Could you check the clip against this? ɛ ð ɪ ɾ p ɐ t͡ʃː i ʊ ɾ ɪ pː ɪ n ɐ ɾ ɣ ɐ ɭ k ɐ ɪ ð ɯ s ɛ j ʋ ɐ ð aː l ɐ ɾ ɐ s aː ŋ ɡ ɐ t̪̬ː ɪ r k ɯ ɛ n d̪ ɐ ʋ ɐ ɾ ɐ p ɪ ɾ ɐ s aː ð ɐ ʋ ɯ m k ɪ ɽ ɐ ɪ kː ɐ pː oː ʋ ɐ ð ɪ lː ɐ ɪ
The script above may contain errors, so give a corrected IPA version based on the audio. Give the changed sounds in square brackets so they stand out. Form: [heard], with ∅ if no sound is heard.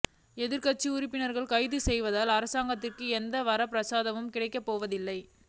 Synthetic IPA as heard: ɛ ð ɪ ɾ [k] ɐ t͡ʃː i ʊ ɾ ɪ pː ɪ n ɐ ɾ ɣ ɐ ɭ k ɐ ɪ ð ɯ s ɛ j ʋ ɐ ð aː l ɐ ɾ ɐ s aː ŋ ɡ ɐ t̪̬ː ɪ r k ɯ ɛ n d̪ ɐ ʋ ɐ ɾ ɐ p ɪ ɾ ɐ s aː ð ɐ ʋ ɯ m k ɪ ɽ ɐ ɪ kː ɐ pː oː ʋ ɐ ð ɪ lː ɐ ɪ